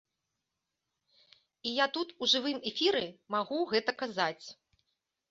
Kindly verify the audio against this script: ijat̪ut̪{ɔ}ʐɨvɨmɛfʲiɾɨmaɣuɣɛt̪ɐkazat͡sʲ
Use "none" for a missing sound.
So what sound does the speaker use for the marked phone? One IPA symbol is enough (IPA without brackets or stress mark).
u